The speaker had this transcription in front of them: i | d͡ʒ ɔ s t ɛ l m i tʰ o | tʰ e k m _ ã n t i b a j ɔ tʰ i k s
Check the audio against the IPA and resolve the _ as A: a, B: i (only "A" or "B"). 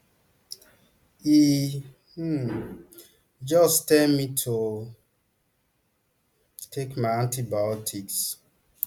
A